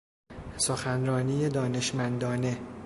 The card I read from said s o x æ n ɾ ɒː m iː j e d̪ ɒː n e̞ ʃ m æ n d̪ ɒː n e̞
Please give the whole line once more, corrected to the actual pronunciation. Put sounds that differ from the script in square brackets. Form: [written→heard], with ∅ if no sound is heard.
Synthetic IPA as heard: s o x æ n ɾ ɒː [m→n] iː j e d̪ ɒː n e̞ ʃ m æ n d̪ ɒː n e̞